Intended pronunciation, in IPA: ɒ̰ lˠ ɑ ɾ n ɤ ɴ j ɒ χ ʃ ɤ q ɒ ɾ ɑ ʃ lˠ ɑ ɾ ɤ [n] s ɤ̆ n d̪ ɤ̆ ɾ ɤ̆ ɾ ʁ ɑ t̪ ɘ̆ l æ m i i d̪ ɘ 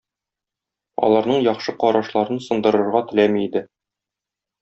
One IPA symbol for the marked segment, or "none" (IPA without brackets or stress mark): n